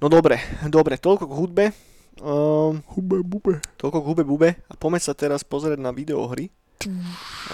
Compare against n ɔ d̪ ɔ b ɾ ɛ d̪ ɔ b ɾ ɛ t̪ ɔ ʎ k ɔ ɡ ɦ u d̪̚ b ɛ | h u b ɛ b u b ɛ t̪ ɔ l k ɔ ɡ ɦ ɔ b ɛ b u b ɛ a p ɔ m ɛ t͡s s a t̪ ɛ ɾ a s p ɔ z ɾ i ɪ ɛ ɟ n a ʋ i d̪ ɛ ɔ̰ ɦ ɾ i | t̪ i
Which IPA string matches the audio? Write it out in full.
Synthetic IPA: n ɔ d̪ ɔ b ɾ ɛ d̪ ɔ b ɾ ɛ t̪ ɔ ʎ k ɔ ɡ ɦ u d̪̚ b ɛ | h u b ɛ b u b ɛ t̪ ɔ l k ɔ ɡ ɦ u b ɛ b u b ɛ a p ɔ m ɛ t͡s s a t̪ ɛ ɾ a s p ɔ z ɾ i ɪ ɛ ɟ n a ʋ i d̪ ɛ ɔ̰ ɦ ɾ i | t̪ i